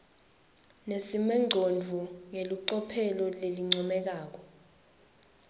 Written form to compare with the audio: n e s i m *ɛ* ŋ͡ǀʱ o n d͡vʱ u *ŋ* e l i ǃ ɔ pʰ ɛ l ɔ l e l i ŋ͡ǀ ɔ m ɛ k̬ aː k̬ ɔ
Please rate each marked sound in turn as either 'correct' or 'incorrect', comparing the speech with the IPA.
correct, correct

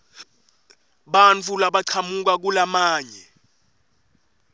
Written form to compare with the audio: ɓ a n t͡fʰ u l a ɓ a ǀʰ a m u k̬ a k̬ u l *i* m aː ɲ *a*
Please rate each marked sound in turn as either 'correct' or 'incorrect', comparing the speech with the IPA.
incorrect, incorrect

